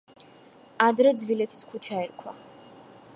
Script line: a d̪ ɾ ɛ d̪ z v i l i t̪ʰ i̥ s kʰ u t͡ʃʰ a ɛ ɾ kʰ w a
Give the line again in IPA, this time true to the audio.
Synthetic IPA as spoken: a d̪ ɾ ɛ d̪ z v i l ɛ t̪ʰ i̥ s kʰ u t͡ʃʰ a ɛ ɾ kʰ w a